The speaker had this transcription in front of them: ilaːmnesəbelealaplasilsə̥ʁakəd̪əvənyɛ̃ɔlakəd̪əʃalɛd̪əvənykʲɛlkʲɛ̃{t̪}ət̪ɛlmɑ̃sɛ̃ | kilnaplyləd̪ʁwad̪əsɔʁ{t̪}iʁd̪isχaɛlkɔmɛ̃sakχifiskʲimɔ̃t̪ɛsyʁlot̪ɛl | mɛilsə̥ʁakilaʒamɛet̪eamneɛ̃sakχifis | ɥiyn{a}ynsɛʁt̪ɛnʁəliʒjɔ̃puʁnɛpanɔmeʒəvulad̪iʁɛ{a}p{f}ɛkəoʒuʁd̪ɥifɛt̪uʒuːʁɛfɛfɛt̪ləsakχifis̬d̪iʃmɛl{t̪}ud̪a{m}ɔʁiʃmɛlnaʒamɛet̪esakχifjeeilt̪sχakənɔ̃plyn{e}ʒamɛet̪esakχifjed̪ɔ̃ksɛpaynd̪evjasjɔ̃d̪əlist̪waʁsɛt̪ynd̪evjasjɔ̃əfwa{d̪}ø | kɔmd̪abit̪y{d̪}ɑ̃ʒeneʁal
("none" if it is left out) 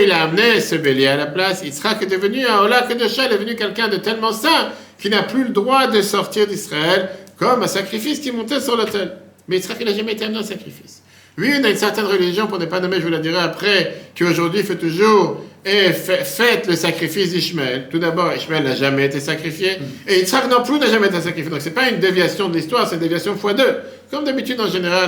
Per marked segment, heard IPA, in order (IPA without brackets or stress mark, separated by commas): d̪, t̪, a, a, χ, t̪, b, a, d̪, d̪